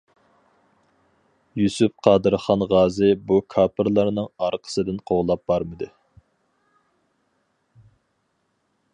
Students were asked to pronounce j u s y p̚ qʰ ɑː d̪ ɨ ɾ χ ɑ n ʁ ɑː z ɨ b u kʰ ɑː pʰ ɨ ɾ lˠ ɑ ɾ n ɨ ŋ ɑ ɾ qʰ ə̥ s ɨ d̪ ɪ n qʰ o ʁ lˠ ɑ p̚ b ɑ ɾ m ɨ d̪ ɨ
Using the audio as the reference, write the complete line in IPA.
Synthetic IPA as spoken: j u s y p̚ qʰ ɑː d̪ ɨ ɾ χ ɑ n ʁ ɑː z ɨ b u kʰ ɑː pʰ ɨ ɾ lˠ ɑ ɾ n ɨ ŋ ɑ ɾ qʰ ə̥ s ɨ d̪ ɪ n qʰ o ʁ lˠ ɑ p̚ b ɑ ɾ m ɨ d̪ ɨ